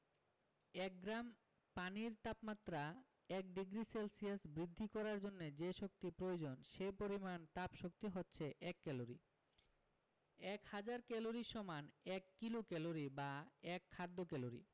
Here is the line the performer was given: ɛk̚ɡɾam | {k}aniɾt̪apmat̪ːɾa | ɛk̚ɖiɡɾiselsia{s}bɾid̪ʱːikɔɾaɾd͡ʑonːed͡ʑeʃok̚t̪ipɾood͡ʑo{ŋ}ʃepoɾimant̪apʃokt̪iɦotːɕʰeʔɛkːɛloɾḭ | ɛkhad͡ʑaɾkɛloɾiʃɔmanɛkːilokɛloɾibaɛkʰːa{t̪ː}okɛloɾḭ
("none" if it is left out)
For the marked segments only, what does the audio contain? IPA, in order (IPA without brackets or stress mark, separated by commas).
p, s, n, d̪ː